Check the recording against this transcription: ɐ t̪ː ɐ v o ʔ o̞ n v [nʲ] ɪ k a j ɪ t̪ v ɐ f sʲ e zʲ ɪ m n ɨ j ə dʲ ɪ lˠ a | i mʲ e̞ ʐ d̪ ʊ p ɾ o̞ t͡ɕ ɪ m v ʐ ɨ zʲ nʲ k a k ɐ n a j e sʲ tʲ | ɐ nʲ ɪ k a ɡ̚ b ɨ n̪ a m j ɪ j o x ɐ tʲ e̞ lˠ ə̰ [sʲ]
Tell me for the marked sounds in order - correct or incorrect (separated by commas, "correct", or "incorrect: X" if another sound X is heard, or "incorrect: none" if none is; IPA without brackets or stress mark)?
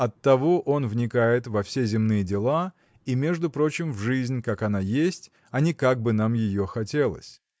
correct, correct